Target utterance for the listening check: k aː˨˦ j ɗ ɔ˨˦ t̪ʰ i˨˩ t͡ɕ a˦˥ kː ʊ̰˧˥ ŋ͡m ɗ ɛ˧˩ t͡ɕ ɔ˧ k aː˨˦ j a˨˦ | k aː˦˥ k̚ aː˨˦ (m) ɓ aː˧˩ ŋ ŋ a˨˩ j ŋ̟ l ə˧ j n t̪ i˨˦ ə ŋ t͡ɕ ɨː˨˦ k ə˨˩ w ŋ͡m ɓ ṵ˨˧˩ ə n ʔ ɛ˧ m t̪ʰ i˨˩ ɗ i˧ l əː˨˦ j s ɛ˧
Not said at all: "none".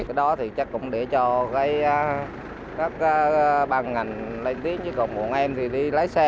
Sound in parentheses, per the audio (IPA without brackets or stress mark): none